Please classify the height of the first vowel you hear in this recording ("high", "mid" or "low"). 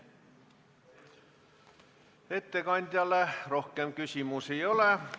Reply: mid